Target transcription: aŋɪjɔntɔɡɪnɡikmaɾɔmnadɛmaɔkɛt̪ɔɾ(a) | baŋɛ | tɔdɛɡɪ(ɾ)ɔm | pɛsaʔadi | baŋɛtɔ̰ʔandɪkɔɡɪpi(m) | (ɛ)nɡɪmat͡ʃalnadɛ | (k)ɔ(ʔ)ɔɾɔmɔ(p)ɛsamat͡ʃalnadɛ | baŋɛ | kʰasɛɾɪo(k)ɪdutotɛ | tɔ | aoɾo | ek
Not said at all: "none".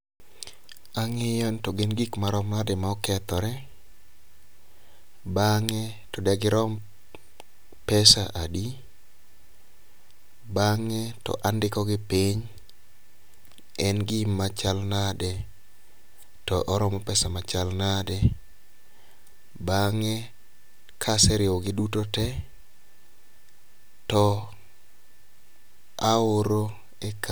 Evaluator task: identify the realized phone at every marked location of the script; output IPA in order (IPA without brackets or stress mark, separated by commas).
ɛ, ɾ, ɲ, ɛ, t, ʔ, p, ɡ